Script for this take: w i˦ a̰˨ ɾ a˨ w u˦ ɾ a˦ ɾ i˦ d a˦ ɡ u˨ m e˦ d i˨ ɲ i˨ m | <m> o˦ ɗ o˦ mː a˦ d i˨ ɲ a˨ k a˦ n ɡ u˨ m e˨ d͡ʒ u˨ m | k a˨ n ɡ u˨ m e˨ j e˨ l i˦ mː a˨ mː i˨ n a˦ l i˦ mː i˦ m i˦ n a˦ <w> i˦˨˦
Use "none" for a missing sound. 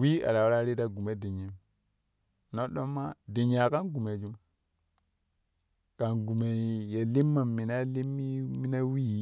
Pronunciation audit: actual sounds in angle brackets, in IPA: n, w

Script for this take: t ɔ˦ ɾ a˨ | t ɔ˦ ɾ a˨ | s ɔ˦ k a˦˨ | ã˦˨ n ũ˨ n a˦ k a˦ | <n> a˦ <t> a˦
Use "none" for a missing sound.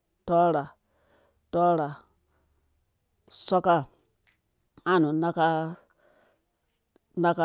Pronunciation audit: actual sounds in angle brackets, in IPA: n, k

